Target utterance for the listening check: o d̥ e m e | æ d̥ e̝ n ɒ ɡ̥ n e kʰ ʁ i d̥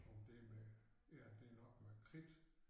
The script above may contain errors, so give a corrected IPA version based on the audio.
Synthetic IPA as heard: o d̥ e m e | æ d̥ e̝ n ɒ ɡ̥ m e kʰ ʁ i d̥